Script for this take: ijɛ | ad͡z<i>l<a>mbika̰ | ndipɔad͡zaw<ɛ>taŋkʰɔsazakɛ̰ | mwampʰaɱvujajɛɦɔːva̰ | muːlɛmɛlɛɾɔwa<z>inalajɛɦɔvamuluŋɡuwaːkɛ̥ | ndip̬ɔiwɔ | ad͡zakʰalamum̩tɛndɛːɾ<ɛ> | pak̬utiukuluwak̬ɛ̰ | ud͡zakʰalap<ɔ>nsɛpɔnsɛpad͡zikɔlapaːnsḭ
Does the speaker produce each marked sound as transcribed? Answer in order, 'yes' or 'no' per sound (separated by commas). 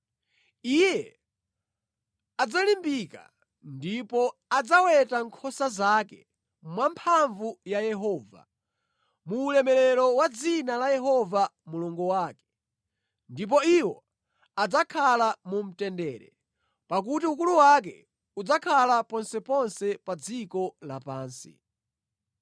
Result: no, no, yes, no, yes, yes